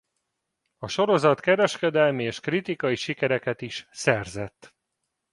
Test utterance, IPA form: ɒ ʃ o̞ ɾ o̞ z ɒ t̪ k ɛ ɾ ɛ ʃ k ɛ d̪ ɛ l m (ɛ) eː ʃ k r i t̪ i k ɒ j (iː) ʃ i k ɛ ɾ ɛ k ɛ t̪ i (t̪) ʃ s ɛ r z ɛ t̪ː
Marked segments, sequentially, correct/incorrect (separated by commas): incorrect, incorrect, incorrect